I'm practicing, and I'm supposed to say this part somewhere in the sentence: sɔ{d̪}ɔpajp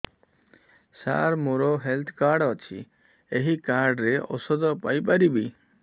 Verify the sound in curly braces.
correct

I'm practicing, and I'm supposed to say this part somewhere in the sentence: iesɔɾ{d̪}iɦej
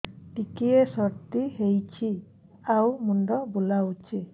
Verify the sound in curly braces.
incorrect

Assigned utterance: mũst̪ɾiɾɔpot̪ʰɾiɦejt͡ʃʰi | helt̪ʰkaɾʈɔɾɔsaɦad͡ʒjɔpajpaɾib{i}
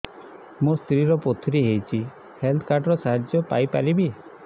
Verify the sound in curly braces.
correct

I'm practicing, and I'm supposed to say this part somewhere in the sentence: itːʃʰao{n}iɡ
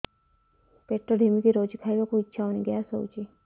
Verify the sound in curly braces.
correct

